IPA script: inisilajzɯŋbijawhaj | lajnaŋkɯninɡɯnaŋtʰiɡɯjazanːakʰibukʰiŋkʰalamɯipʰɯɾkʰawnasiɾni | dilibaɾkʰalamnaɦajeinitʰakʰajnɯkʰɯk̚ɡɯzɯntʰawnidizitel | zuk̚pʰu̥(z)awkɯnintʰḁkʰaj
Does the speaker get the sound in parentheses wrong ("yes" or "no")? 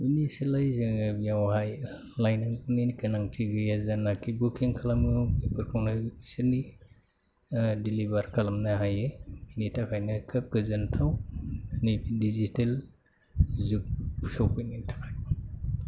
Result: yes